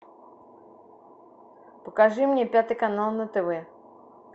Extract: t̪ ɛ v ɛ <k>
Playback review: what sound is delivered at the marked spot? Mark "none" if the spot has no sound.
none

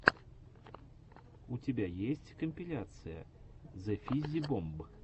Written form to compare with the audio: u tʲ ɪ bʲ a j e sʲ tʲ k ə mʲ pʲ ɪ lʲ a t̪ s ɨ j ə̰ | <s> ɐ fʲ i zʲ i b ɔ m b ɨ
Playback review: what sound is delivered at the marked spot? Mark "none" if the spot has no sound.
z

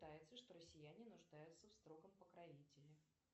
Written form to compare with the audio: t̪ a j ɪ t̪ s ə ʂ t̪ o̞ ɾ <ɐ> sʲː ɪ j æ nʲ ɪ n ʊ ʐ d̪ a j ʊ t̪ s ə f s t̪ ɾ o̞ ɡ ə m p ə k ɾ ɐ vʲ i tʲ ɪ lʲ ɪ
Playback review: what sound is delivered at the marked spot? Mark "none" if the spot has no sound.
ə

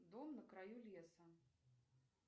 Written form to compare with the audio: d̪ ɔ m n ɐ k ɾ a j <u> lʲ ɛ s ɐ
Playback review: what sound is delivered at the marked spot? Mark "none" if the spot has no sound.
u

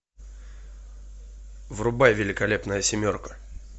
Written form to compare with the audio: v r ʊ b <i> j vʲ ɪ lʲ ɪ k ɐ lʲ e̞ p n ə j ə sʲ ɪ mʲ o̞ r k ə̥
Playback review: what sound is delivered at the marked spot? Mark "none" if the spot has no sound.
a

